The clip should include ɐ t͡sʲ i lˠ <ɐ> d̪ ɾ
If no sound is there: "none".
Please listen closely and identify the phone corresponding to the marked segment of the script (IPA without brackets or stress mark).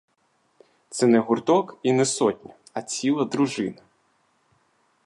ɐ